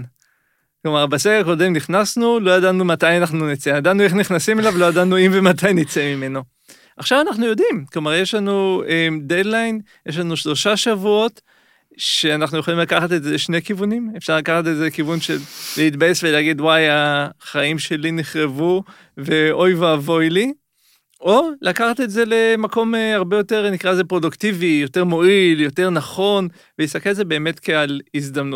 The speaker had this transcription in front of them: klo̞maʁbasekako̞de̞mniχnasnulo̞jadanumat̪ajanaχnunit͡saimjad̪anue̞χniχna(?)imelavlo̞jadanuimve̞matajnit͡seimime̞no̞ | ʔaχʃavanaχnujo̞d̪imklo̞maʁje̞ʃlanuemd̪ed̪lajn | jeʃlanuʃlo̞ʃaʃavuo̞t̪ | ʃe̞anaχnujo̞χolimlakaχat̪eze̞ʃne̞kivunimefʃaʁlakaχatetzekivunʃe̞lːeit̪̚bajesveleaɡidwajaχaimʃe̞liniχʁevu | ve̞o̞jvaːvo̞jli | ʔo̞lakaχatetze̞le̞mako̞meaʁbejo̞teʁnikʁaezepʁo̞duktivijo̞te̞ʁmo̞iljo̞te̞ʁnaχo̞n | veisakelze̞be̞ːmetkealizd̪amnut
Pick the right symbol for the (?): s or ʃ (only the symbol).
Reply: s